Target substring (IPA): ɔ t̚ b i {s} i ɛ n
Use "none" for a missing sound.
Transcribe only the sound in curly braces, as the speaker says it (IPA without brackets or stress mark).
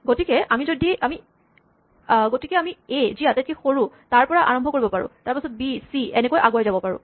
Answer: s